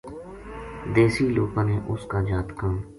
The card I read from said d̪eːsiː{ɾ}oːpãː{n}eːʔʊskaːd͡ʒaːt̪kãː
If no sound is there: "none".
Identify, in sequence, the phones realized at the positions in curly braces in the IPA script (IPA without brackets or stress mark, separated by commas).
l, n